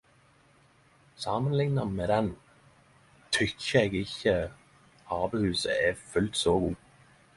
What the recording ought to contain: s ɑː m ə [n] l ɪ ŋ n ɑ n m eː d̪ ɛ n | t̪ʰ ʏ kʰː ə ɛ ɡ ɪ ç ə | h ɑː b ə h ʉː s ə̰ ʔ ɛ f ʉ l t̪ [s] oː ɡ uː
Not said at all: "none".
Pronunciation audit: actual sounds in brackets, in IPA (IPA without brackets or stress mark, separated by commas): n, s